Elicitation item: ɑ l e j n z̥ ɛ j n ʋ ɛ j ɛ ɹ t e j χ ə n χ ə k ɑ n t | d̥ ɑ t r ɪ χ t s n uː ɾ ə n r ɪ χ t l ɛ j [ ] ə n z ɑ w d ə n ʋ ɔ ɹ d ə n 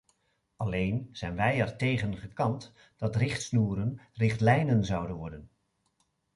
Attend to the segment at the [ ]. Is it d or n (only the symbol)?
n